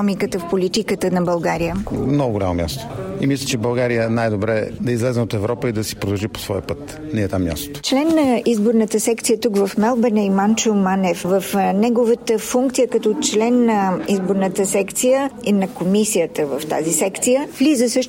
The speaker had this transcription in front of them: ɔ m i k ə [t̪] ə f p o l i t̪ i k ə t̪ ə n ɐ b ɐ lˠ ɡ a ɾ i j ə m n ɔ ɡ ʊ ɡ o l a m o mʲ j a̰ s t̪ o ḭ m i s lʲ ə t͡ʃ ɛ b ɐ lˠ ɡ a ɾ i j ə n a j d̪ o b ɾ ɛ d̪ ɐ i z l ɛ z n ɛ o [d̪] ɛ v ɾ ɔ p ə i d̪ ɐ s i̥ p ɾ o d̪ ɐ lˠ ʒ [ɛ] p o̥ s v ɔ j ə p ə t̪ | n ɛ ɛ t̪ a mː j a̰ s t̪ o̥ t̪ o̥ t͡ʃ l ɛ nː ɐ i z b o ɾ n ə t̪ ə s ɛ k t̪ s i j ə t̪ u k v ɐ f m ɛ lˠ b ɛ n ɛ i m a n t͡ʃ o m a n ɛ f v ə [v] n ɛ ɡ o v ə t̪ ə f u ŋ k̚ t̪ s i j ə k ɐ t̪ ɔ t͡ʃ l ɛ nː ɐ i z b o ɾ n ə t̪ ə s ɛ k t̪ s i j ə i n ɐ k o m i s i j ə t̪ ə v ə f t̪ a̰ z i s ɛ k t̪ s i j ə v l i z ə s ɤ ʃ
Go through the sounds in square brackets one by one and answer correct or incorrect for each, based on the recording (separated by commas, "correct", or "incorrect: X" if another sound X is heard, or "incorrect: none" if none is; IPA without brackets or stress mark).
correct, incorrect: t̪, incorrect: i, incorrect: f